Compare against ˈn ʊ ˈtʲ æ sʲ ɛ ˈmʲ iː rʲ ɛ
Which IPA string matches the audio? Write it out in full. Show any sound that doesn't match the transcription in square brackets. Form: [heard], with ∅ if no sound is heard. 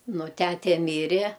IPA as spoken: ˈn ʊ ˈtʲ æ [tʲ] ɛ ˈmʲ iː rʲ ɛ

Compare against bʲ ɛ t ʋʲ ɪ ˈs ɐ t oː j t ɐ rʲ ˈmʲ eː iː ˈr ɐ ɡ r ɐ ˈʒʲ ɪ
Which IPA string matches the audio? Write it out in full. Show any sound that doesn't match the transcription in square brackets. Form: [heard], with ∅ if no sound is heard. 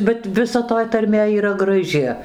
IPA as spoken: bʲ ɛ t ʋʲ ɪ ˈs ɐ t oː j t ɐ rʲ ˈmʲ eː iː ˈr ɐ ɡ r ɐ ˈʒʲ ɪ

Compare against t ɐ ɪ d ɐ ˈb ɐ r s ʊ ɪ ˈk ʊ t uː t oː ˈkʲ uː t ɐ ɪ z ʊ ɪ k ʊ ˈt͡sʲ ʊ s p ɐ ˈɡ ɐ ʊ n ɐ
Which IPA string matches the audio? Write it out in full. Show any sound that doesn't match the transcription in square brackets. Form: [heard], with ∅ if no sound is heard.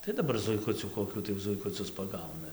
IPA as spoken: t ɐ ɪ d ɐ ˈb ɐ r [z] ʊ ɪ ˈk ʊ [t͡sʲ] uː [k] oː ˈkʲ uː t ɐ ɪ z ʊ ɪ k ʊ ˈt͡sʲ ʊ s p ɐ ˈɡ ɐ ʊ n ɐ

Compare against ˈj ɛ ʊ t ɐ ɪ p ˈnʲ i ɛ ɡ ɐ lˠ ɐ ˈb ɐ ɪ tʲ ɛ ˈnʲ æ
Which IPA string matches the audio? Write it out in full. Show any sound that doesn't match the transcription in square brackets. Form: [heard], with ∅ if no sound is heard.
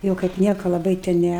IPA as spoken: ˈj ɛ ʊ [k] ɐ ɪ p ˈnʲ i ɛ [k] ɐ lˠ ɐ ˈb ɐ ɪ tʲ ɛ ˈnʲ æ

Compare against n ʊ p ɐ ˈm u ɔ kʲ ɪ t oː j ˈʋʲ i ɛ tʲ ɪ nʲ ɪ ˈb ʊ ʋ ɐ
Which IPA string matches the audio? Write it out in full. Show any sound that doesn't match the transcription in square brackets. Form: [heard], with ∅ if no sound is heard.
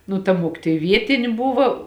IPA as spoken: n ʊ [t] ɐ ˈm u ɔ kʲ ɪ t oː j ˈʋʲ i ɛ tʲ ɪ nʲ ɪ ˈb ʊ ʋ ɐ

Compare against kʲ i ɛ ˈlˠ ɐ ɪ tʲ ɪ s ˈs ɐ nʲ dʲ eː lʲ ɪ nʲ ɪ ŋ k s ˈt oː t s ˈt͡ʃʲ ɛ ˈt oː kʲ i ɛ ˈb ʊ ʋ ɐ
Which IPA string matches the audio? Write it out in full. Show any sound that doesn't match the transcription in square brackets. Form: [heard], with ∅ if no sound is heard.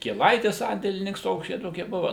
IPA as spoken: kʲ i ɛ ˈlˠ ɐ ɪ tʲ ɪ s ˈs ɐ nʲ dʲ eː lʲ ɪ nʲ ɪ ŋ k s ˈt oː [k] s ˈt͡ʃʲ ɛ ˈt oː kʲ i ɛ ˈb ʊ ʋ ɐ

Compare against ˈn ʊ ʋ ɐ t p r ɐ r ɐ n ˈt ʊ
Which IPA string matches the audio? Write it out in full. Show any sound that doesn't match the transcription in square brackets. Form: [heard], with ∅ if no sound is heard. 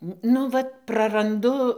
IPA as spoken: ˈn ʊ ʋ ɐ t p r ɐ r ɐ n [ˈd] ʊ

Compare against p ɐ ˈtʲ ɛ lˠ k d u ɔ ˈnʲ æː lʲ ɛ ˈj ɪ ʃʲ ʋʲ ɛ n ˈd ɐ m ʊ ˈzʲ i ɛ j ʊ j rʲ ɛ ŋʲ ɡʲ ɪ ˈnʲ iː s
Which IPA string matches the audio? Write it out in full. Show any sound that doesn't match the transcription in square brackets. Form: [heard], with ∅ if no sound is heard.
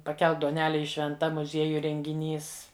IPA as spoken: p ɐ [ˈkʲ] ɛ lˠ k d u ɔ ˈnʲ æː lʲ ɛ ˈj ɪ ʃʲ ʋʲ ɛ n [ˈt] ɐ m ʊ ˈzʲ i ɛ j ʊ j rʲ ɛ ŋʲ ɡʲ ɪ ˈnʲ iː s

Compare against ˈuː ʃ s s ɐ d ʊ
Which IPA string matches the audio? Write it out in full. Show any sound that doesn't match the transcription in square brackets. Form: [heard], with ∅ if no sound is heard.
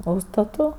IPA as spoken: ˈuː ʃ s [t] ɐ [t] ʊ

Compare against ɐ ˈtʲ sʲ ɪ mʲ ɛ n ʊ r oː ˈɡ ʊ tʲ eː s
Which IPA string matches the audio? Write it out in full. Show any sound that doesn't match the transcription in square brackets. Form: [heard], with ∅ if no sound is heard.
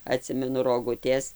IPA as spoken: ɐ ˈtʲ sʲ ɪ mʲ ɛ n ʊ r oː ˈɡ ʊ tʲ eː s

